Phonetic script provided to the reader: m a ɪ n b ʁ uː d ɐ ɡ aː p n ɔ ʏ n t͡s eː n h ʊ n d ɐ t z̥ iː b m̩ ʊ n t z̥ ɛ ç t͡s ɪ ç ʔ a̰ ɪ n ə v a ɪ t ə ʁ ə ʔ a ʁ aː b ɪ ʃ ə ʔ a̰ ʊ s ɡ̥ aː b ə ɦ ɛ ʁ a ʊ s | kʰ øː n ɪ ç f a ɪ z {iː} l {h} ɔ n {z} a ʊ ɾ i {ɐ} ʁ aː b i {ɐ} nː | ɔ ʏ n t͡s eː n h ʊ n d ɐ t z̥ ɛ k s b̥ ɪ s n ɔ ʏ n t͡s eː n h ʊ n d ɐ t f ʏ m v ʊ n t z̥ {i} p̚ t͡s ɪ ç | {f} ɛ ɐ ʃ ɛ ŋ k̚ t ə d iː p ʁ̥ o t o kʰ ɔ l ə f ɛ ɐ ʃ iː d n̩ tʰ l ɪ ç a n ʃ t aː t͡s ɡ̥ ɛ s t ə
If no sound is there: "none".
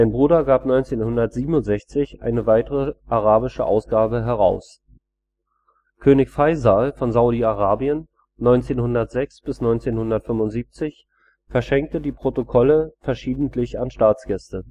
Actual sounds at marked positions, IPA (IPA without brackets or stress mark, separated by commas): aː, f, z, a, ə, iː, f